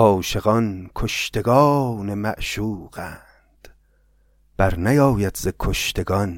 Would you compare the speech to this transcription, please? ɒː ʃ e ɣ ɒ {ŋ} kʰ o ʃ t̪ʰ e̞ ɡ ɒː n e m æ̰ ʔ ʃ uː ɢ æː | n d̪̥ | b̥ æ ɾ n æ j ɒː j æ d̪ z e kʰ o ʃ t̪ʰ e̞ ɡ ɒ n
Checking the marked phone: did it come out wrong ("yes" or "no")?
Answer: yes